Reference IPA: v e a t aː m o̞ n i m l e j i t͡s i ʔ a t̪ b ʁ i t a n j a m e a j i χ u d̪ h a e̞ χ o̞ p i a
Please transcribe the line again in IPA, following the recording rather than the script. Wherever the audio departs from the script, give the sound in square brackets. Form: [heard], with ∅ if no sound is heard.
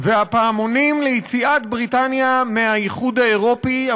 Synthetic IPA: v e a [p] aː m o̞ n i m l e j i t͡s i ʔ a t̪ b ʁ i t a n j a m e a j i χ u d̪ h a e̞ [ʁ] o̞ p i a

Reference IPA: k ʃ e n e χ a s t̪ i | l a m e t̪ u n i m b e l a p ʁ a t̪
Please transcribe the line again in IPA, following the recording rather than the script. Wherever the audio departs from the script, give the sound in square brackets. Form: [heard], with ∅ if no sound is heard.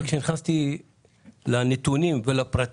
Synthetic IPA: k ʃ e n [i] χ a s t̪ i | l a [n] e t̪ u n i m [v] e l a p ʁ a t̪

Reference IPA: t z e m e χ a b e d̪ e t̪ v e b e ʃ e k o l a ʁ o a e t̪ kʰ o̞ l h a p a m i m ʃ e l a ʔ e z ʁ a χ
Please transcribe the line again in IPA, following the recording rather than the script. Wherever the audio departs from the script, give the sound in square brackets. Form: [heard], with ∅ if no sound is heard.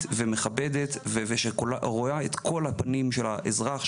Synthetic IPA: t [v] e m e χ a b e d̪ e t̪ v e [v] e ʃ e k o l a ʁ o a e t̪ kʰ o̞ l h a p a [n] i m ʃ e l a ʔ e z ʁ a χ

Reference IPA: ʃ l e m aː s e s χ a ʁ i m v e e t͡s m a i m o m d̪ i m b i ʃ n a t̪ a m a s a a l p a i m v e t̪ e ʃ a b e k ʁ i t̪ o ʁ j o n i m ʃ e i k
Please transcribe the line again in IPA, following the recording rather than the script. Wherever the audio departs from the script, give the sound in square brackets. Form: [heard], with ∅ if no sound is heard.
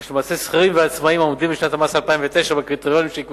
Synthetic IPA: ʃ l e m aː s e s χ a ʁ i m v e [a] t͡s m a i m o m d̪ i m b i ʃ n a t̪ a m a s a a l p a i m v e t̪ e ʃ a b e k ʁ i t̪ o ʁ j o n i m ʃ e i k

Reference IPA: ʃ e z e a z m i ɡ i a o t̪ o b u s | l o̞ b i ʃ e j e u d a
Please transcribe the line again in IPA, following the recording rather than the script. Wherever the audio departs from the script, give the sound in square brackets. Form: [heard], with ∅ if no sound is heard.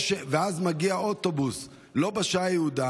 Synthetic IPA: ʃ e [v] e a z m [a] ɡ i a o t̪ o b u s | l o̞ b [a] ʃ [a] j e u d a

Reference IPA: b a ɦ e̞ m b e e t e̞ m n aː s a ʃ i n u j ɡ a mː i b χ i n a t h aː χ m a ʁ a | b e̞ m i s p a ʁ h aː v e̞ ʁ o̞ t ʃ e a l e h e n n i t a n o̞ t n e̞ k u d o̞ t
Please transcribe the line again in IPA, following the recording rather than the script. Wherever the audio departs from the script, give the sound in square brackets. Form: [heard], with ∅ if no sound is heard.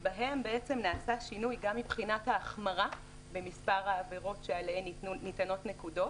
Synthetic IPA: b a ɦ e̞ m b e e [t͡s] e̞ m n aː s a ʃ i n u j ɡ a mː i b χ i n a t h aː χ m a ʁ a | b e̞ m i s p a ʁ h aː v e̞ ʁ o̞ t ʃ e a l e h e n n i t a n o̞ t n e̞ k u d o̞ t

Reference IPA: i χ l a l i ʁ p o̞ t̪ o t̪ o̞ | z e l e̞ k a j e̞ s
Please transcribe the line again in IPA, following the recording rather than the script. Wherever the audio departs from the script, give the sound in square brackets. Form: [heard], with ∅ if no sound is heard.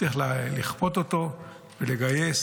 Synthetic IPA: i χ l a l i [χ] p o̞ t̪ o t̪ o̞ | [v] e l e̞ [ɡ] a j e̞ s

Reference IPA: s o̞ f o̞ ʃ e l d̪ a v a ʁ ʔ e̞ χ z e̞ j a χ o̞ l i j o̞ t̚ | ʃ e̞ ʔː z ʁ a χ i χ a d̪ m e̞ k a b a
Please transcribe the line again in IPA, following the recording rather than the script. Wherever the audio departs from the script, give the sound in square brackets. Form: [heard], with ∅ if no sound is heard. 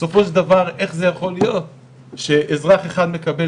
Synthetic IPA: s o̞ f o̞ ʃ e l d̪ a v a ʁ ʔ e̞ χ z e̞ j a χ o̞ l i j o̞ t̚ | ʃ e̞ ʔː z ʁ a χ [e] χ a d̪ m e̞ k a b [e]

